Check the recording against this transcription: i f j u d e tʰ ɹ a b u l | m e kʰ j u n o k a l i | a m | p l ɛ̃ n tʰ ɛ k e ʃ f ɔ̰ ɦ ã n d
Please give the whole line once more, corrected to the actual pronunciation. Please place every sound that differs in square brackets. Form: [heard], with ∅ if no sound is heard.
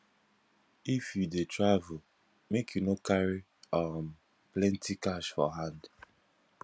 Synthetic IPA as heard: i f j u d e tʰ ɹ a [v] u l | m e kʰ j u n o k a [ɹ] i | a m | p l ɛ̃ n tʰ [i] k [a] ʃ f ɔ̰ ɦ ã n d